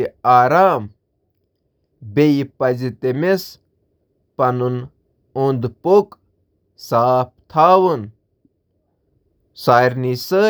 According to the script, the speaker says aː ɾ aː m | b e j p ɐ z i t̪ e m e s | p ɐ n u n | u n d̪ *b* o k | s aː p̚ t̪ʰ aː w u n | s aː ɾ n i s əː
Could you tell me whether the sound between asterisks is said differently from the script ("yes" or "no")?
yes